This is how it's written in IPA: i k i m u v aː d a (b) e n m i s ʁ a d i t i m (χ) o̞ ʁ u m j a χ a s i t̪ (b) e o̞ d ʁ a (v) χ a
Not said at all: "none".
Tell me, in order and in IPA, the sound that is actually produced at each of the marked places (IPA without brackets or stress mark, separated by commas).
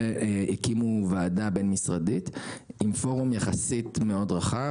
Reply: b, f, m, none